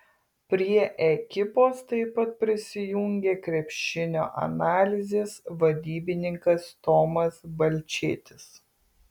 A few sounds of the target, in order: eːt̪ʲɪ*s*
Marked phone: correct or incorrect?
correct